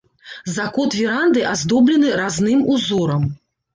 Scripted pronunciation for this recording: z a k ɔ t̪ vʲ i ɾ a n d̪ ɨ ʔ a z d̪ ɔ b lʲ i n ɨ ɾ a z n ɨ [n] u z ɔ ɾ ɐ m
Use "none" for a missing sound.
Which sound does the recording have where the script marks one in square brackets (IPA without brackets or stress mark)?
m